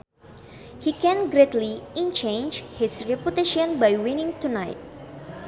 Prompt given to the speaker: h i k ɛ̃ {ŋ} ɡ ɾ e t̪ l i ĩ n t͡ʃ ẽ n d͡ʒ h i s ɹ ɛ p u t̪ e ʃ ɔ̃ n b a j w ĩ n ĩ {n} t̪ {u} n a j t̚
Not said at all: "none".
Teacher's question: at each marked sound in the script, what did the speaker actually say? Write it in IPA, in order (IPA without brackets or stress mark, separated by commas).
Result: n, ŋ, u